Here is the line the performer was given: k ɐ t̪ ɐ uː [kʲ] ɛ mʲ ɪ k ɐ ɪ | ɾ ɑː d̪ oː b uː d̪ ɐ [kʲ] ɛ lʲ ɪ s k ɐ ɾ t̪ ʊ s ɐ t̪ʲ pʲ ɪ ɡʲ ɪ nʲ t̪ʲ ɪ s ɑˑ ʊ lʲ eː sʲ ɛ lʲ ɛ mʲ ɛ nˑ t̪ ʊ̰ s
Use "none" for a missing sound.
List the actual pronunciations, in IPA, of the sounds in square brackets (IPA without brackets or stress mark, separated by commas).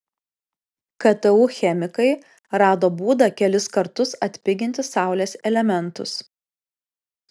xʲ, kʲ